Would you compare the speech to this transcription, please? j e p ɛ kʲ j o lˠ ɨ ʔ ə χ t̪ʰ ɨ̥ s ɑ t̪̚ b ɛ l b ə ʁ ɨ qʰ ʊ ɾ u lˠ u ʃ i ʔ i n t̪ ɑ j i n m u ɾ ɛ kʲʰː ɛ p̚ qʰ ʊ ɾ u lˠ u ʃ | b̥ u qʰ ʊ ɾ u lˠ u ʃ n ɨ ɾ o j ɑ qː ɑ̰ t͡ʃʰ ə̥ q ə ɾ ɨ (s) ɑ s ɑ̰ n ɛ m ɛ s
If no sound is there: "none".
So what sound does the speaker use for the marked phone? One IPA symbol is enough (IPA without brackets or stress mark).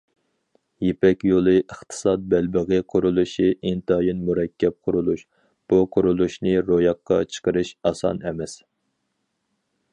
ʃ